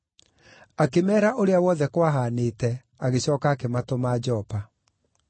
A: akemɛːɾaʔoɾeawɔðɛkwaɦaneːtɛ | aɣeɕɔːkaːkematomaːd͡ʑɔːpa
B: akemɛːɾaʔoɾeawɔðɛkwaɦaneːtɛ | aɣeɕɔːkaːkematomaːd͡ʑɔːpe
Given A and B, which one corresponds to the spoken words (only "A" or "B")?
A